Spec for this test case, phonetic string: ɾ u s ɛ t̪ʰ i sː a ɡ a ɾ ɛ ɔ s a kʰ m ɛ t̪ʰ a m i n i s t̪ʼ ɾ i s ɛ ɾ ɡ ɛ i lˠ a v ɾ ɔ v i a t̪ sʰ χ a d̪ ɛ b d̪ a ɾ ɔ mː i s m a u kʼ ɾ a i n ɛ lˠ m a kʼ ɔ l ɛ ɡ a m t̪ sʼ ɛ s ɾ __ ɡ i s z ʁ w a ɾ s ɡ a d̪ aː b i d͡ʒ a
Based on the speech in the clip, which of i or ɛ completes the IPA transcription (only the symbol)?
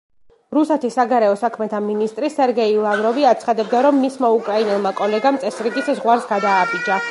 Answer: i